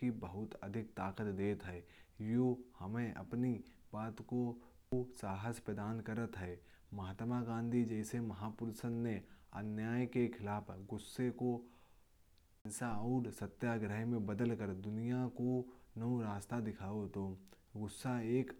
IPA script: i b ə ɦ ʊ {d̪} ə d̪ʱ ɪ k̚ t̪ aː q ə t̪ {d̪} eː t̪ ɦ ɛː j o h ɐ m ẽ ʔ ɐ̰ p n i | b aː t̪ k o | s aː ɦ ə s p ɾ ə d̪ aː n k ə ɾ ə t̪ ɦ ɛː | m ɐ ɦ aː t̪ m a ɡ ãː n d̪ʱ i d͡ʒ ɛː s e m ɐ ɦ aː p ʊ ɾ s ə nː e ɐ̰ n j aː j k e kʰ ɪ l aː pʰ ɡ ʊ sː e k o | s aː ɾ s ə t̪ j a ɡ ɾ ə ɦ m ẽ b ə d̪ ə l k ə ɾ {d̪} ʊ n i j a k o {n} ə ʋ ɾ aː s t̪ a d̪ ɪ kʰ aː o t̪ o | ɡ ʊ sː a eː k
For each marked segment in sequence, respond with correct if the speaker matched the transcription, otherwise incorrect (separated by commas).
incorrect, correct, correct, correct